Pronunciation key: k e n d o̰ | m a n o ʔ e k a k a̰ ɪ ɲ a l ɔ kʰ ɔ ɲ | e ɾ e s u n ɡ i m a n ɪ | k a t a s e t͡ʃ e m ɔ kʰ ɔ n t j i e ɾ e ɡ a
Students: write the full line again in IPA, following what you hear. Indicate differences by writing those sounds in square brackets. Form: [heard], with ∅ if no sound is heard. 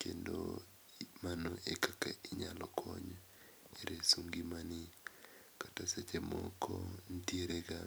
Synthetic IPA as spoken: k e n d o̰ | m a n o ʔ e k a k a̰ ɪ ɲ a l ɔ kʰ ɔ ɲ | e ɾ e s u [ŋ] ɡ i m a n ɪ | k a t a s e t͡ʃ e m ɔ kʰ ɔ n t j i e ɾ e ɡ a